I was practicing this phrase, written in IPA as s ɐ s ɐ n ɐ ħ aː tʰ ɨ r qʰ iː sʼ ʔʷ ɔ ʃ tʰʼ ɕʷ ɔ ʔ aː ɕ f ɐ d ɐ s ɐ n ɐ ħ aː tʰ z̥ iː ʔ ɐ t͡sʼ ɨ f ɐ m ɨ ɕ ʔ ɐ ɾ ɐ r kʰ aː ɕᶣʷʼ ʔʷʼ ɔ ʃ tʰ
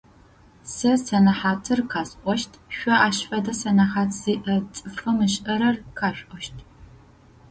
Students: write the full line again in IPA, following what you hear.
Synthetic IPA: s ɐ s ɐ n ɐ ħ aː tʰ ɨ r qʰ aː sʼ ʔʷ ɔ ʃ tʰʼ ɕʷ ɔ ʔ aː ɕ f ɐ d ɐ s ɐ n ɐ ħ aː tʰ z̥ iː ʔ ɐ t͡sʼ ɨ f ɐ m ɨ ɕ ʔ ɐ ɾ ɐ r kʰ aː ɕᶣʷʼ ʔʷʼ ɔ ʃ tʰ